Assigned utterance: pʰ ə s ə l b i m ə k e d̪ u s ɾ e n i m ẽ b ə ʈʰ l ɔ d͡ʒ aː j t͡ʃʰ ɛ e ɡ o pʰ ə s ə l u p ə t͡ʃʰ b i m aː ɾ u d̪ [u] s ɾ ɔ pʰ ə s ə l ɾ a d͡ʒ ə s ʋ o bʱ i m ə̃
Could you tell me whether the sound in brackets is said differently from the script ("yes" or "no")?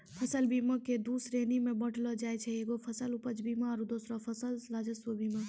yes